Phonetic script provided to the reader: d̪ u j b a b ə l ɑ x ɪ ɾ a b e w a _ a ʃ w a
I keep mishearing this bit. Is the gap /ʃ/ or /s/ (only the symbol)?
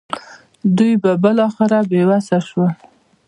s